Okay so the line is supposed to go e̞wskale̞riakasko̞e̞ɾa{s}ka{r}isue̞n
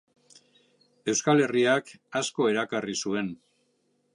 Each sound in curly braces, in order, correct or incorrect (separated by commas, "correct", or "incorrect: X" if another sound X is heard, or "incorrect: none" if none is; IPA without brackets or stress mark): incorrect: none, correct